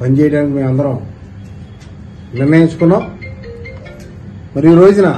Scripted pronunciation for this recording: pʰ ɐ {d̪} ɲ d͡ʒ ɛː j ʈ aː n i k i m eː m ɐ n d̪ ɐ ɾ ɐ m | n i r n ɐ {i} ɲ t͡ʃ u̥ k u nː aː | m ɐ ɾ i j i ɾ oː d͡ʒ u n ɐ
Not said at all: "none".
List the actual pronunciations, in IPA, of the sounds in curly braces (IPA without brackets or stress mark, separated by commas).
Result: none, i